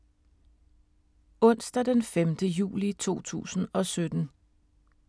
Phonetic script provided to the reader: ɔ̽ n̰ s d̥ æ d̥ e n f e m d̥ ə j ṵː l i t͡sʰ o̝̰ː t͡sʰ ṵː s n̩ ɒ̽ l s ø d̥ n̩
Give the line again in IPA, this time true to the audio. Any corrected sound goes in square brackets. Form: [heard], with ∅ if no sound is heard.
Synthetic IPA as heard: ɔ̽ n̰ s d̥ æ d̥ e n f e m d̥ ə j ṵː l i t͡sʰ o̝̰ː t͡sʰ ṵː s n̩ ɒ̽ [∅] s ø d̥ n̩